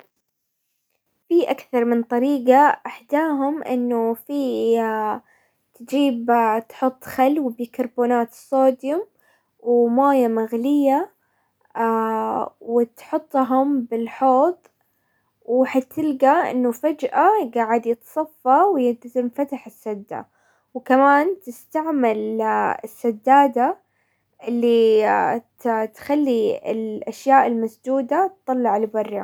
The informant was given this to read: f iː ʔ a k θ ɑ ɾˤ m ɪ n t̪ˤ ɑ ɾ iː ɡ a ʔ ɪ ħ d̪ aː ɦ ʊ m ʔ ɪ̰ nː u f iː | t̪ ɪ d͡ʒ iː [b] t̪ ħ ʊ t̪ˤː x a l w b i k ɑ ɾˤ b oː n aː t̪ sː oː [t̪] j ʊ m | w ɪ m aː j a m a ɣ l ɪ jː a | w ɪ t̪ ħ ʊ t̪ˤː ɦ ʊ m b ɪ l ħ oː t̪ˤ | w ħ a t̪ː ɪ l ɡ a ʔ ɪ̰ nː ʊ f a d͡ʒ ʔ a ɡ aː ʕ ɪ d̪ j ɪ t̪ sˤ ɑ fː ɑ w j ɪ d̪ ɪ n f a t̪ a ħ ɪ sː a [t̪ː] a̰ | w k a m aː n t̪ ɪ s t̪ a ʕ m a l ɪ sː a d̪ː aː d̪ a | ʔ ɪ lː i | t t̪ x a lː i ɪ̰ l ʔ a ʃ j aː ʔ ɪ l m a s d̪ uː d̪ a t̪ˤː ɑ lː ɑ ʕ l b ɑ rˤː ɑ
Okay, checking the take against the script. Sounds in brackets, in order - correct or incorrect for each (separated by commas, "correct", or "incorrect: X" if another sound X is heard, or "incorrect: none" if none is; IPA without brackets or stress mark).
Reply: correct, incorrect: d̪, incorrect: d̪ː